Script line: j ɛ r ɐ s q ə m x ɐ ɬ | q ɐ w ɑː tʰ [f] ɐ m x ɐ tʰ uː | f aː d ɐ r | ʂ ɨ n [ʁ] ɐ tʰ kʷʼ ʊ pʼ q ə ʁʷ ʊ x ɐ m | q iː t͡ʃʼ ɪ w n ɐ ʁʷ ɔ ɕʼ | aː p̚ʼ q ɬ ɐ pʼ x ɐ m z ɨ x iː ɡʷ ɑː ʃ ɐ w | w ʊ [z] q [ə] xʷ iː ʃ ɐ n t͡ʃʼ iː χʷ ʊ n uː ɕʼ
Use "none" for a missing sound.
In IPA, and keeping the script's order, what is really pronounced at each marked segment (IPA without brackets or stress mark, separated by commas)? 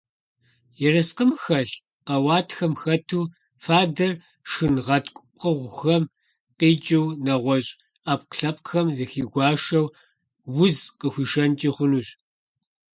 x, ʁ, z, ə